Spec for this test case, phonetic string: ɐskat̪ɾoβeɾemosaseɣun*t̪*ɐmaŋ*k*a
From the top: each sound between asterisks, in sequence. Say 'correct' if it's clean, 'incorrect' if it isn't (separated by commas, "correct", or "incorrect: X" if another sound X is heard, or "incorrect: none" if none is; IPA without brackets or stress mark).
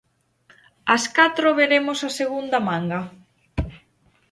incorrect: d̪, incorrect: ɡ